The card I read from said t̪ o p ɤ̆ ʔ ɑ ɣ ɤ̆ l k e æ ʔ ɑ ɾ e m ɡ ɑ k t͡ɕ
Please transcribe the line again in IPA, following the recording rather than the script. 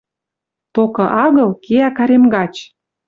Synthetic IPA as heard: t̪ o k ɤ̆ ʔ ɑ ɣ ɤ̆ l k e æ k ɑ ɾ e m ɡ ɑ t͡ɕ